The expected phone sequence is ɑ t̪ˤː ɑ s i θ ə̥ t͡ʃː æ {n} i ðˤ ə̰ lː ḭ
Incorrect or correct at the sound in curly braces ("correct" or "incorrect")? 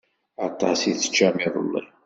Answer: incorrect